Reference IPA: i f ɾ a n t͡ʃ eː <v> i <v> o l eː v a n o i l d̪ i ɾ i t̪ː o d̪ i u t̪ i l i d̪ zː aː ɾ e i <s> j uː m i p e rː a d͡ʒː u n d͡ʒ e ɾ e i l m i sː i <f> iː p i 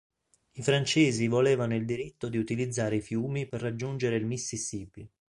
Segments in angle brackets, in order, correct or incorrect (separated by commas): incorrect, correct, incorrect, incorrect